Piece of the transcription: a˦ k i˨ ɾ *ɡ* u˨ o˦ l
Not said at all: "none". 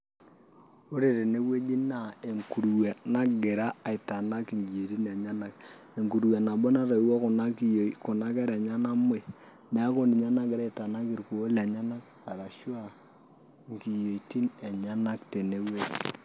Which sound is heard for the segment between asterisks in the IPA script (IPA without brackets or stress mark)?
k